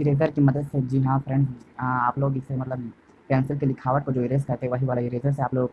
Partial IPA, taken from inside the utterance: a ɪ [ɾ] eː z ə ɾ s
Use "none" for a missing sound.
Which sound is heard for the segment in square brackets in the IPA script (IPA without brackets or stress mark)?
ɾ